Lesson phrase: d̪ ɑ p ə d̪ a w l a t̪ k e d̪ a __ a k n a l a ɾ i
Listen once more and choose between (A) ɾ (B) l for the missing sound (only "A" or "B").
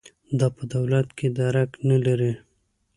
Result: A